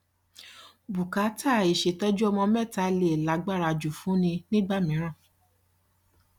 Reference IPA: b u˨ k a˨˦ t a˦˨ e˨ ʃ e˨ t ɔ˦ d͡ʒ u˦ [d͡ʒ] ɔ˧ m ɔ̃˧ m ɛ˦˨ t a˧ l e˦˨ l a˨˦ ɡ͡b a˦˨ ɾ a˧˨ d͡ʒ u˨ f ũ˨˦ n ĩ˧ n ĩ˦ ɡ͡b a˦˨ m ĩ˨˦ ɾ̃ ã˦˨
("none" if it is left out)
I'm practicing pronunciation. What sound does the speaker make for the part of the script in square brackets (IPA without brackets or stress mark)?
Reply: none